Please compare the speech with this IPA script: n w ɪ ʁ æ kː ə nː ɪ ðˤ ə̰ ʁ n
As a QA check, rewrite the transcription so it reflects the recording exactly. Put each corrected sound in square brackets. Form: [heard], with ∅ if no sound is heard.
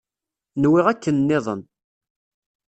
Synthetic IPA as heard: n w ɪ ʁ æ kː ə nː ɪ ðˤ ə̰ [∅] n